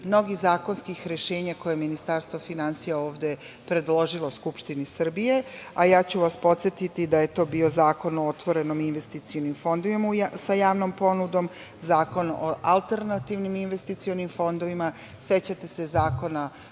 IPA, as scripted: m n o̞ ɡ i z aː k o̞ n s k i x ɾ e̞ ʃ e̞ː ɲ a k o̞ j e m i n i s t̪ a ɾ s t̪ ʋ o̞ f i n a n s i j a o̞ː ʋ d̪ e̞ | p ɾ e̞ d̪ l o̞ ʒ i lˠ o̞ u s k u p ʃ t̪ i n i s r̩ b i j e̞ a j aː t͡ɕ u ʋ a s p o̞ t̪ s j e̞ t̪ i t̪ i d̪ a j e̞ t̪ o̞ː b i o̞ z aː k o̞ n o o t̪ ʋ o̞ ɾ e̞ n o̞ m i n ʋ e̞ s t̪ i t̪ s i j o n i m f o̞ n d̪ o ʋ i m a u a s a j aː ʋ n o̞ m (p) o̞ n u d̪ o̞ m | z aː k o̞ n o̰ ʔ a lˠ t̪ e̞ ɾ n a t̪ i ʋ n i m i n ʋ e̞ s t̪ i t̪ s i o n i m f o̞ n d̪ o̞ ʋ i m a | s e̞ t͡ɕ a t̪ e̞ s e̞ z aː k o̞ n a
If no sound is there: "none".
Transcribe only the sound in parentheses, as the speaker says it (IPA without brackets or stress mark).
p